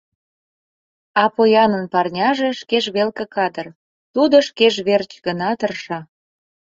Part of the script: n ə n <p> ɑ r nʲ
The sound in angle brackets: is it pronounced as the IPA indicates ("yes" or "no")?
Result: yes